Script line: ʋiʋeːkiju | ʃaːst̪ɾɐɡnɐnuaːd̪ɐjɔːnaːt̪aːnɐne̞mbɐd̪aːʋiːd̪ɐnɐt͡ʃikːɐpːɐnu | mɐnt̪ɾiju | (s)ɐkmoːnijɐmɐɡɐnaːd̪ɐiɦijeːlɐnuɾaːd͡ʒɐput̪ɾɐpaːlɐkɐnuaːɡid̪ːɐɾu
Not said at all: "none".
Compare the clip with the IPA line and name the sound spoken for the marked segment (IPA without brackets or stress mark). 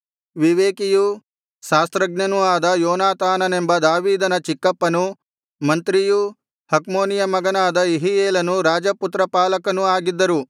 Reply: h